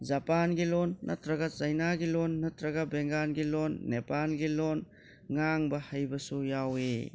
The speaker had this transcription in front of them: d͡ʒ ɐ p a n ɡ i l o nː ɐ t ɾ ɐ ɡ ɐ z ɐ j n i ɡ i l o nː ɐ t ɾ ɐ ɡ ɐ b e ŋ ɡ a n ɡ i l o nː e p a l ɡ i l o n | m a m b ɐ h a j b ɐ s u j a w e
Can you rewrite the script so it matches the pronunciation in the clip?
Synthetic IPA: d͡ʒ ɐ p a n ɡ i l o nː ɐ t ɾ ɐ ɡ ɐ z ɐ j n a ɡ i l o nː ɐ t ɾ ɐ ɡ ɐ b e ŋ ɡ a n ɡ i l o nː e p a l ɡ i l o n | ŋ a ŋ b ɐ h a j b ɐ s u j a w e